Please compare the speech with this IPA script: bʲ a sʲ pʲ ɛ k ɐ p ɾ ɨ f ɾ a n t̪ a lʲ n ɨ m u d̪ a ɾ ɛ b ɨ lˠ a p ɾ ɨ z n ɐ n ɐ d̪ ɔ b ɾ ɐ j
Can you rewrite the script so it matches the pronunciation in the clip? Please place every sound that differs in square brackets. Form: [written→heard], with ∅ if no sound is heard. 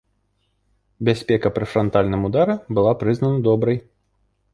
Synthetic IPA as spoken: bʲ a sʲ pʲ ɛ k ɐ p ɾ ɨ f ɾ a n t̪ a lʲ n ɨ m u d̪ a ɾ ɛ b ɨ lˠ a p ɾ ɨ z n ɐ n ɐ d̪ ɔ b ɾ ɐ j